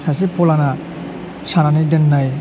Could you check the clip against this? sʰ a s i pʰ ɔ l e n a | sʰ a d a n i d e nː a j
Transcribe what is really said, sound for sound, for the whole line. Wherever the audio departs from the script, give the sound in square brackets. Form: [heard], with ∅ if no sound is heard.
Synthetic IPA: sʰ a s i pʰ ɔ l [a] n a | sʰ a [n] a n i d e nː a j